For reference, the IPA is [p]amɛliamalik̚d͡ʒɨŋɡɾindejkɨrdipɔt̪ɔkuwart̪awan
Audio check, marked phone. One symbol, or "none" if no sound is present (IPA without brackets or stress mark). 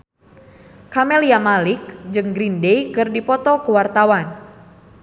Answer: k